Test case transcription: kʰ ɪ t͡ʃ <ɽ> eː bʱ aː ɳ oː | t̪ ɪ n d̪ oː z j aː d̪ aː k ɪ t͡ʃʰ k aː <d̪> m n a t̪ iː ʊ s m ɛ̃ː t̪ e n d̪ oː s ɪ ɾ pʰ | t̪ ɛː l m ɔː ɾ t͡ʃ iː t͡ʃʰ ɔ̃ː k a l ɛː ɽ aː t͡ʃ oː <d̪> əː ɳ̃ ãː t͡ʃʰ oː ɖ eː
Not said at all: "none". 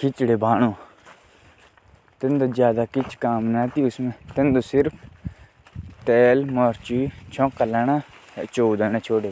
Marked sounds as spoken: ɽ, none, d̪

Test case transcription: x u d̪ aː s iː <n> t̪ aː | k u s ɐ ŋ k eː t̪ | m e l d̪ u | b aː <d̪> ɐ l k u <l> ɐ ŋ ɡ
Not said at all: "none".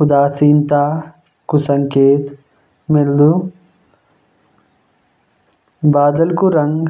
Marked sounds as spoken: n, d̪, ɾ

